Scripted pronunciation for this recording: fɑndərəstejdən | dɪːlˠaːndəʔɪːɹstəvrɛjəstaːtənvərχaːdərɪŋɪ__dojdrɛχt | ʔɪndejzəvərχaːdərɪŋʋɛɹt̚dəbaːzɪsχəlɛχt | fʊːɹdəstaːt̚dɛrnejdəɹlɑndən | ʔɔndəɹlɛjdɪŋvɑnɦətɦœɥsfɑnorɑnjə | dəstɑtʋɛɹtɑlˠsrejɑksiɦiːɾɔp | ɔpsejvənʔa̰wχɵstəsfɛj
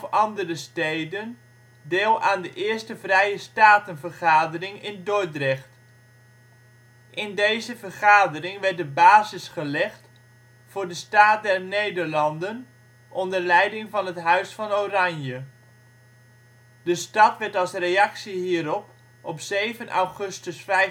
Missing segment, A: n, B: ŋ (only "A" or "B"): A